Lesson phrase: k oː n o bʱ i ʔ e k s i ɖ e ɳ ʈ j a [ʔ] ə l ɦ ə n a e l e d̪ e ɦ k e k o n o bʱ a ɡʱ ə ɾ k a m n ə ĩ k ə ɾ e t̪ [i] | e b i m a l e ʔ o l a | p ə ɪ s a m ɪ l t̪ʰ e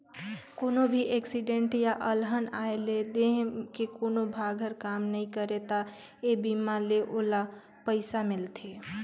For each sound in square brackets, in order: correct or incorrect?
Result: correct, incorrect

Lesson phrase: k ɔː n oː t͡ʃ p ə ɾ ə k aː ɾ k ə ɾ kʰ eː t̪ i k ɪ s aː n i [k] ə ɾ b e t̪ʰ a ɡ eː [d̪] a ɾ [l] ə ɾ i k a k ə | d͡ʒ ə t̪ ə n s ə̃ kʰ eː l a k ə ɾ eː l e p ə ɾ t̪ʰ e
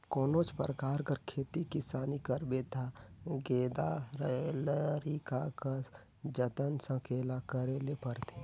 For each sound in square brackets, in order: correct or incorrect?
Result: correct, correct, correct

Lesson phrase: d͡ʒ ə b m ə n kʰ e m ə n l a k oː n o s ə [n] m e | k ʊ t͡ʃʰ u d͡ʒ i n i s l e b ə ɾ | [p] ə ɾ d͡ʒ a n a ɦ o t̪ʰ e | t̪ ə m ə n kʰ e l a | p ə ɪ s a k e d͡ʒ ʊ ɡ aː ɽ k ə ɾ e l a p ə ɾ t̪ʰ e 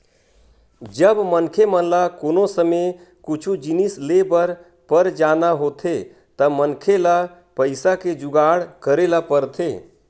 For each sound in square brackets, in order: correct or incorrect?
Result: incorrect, correct

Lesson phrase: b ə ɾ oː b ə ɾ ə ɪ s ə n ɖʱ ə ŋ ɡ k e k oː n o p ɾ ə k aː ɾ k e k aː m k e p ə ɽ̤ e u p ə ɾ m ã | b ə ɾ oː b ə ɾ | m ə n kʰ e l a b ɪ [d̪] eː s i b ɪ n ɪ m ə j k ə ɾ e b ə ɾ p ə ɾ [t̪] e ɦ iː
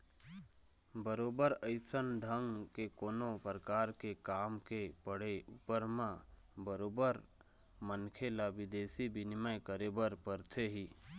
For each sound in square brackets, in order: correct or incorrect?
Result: correct, incorrect

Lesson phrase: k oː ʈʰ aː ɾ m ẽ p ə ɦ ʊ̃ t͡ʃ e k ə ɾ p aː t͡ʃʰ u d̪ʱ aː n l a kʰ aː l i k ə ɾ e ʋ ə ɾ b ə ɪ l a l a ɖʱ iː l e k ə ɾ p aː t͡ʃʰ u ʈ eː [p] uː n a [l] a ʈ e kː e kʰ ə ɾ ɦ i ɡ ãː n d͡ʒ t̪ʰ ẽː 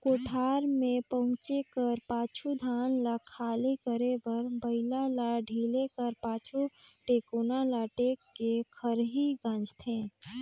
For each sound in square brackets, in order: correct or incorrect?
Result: incorrect, correct

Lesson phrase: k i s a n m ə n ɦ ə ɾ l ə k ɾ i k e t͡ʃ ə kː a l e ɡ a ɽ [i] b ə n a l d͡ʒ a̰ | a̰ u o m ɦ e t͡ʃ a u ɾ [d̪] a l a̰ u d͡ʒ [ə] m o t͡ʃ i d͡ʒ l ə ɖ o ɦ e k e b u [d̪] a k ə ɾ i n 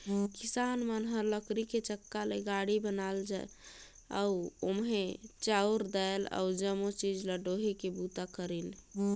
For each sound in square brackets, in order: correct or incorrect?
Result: correct, correct, correct, incorrect

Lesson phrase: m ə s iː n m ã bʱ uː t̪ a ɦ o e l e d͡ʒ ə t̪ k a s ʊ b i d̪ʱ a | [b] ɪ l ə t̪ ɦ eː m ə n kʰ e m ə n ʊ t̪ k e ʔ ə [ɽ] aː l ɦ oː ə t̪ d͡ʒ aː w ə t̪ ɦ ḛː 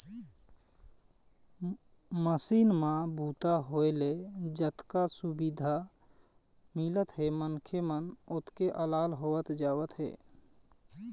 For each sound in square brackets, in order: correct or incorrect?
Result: incorrect, incorrect

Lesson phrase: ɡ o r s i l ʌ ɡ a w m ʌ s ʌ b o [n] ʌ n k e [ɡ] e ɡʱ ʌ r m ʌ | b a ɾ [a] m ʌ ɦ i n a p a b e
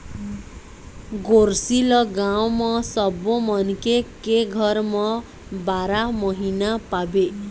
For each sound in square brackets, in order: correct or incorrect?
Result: incorrect, incorrect, correct

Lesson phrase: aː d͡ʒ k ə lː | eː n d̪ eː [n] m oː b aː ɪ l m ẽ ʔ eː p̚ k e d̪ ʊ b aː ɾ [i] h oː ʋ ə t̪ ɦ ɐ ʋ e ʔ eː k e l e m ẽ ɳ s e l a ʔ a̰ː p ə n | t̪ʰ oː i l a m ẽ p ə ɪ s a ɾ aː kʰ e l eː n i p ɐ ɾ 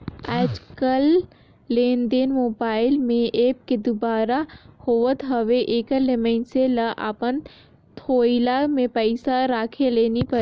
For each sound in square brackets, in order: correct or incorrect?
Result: correct, incorrect

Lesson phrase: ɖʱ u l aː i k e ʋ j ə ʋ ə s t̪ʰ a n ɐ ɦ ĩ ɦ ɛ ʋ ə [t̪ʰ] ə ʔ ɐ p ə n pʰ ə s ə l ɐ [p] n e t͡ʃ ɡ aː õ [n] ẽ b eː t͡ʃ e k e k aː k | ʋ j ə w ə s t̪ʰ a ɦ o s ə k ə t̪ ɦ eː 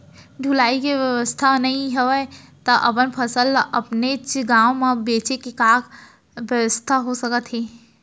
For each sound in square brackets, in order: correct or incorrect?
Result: incorrect, correct, incorrect

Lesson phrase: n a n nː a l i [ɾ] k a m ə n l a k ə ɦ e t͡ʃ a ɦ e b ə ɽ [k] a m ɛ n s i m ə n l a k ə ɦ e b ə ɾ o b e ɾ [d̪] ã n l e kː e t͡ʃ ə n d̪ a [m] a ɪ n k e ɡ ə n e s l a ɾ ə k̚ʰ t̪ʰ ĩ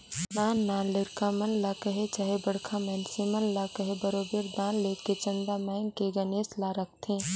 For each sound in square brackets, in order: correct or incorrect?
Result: correct, incorrect, correct, correct

